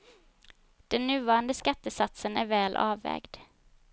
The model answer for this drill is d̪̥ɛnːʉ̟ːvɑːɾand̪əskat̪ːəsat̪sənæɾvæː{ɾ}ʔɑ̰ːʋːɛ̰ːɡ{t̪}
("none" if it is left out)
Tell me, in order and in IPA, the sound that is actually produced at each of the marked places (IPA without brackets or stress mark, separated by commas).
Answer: l, d̪